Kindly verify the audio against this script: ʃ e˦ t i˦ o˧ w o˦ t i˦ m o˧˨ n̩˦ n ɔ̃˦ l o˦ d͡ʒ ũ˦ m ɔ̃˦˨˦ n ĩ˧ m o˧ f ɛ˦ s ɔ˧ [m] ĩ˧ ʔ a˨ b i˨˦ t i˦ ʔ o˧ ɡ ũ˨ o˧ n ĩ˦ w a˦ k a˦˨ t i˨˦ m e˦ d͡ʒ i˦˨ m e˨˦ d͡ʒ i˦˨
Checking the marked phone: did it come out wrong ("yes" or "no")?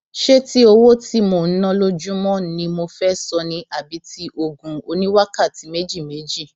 yes